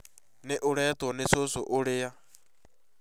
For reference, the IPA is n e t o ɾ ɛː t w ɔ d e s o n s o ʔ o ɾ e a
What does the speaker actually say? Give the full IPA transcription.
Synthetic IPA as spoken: n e ʔ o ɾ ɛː t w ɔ n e s o s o ʔ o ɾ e a